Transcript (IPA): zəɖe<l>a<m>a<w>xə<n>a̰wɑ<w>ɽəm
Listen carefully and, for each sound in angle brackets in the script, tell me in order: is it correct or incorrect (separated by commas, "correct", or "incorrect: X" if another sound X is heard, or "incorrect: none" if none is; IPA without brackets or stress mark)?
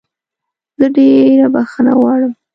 incorrect: ɾ, incorrect: b, incorrect: none, correct, incorrect: none